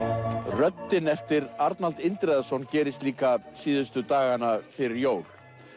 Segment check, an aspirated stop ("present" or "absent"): absent